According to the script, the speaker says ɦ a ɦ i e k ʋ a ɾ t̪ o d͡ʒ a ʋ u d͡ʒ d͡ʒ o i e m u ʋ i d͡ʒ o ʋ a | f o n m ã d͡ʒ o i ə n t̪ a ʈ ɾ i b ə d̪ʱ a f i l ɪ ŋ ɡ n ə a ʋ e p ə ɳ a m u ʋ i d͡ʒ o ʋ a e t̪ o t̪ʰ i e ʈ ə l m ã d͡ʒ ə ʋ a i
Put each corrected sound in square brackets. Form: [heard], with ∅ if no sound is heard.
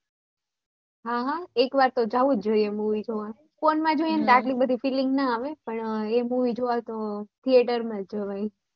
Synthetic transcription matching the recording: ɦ a ɦ [a] e k ʋ a ɾ t̪ o d͡ʒ a ʋ u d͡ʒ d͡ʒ o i e m u ʋ i d͡ʒ o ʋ a | f o n m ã d͡ʒ o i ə n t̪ a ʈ [l] i b ə d̪ʱ [i] f i l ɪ ŋ ɡ n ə a ʋ e p ə ɳ [e] m u ʋ i d͡ʒ o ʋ a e t̪ o t̪ʰ i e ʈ ə [ɾ] m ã d͡ʒ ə ʋ a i